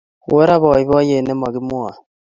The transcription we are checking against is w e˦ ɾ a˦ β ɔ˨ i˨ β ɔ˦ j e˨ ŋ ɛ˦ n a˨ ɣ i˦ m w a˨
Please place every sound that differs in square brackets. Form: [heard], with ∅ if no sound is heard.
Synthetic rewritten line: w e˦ ɾ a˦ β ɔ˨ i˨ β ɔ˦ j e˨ [n] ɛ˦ [m] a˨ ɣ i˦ m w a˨